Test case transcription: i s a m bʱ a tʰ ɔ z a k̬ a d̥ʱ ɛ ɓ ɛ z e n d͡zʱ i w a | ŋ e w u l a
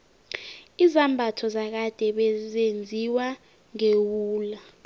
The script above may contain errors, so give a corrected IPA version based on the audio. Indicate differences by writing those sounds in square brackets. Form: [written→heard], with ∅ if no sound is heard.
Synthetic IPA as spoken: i [s→z] a m bʱ a tʰ ɔ z a k̬ a d̥ʱ ɛ ɓ ɛ z e n d͡zʱ i w a | ŋ e w [u→uː] l a